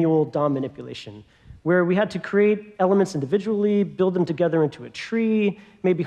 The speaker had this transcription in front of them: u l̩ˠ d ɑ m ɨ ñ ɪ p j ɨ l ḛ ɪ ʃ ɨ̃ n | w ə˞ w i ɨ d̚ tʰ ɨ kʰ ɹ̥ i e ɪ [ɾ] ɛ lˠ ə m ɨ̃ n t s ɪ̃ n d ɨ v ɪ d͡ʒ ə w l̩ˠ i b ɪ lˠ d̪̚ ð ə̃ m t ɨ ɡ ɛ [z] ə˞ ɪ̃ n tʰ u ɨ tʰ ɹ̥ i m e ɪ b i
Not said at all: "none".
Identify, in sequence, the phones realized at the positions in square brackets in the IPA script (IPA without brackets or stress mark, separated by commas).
ɾ, ð